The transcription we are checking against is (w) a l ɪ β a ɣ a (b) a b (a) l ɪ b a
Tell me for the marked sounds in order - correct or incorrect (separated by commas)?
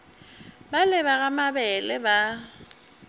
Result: incorrect, incorrect, incorrect